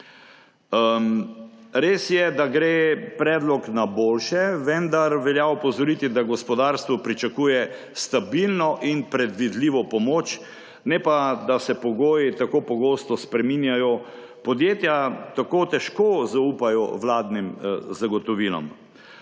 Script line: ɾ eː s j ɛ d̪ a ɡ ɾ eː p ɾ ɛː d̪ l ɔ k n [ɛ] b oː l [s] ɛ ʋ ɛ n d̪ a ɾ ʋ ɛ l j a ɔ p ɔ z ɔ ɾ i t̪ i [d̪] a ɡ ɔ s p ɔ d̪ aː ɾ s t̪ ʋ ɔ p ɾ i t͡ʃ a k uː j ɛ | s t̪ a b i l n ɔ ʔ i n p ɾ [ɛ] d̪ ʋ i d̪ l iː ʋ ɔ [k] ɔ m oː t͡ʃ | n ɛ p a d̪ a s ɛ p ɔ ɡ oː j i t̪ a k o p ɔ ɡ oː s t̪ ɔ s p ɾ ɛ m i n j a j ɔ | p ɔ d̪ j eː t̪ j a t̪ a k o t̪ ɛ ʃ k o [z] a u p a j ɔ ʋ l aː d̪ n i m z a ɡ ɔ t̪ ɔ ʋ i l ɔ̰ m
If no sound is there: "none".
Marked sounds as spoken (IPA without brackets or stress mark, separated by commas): a, ʃ, d̪, ɛ, p, z